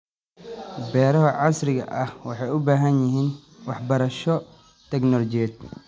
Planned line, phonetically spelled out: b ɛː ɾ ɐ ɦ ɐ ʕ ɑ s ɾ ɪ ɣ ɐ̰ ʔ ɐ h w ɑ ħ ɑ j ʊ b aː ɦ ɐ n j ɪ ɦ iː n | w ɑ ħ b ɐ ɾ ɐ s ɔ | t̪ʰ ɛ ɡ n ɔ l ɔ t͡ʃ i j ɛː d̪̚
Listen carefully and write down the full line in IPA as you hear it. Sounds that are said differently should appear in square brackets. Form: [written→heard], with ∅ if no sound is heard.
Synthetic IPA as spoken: b ɛː ɾ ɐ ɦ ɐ ʕ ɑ s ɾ ɪ ɣ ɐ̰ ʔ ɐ h w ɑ ħ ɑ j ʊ b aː ɦ ɐ n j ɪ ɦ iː n | w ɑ ħ b ɐ ɾ ɐ [s→ʃ] ɔ | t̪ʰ ɛ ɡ n ɔ l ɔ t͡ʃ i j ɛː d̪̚